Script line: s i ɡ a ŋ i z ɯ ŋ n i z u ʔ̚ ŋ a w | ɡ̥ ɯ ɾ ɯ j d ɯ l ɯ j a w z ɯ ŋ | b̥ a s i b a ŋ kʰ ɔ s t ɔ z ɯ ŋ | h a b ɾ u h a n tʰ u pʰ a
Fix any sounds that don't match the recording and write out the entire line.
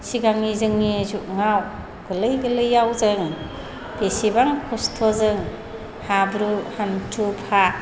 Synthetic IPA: s i ɡ a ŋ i z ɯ ŋ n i z u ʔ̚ ŋ a w | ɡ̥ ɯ l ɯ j ɡ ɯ l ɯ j a w z ɯ ŋ | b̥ e s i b a ŋ kʰ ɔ s tʰ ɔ z ɯ ŋ | h a b ɾ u h a n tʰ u pʰ a